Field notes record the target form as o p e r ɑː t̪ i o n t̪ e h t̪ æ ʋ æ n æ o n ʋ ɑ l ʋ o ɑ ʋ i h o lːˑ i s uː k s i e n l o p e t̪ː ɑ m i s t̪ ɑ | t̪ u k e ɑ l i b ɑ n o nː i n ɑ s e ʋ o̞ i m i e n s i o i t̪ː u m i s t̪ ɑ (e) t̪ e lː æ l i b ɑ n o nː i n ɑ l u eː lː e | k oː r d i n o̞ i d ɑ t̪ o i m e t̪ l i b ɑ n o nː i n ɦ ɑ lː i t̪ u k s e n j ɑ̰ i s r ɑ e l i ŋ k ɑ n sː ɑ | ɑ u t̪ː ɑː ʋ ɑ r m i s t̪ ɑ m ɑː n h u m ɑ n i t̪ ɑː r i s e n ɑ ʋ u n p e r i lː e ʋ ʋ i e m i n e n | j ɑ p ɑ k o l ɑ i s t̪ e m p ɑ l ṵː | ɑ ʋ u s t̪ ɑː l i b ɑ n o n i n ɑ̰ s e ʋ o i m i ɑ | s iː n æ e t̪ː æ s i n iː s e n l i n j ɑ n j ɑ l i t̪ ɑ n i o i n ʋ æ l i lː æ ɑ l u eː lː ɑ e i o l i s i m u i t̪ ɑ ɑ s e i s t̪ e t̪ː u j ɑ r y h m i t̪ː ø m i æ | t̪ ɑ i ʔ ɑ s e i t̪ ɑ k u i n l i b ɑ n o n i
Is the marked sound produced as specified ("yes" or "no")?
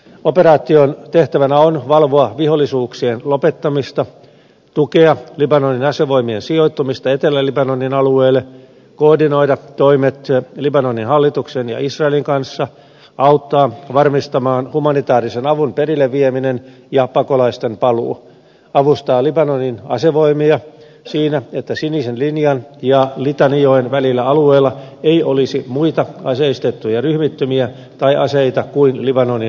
yes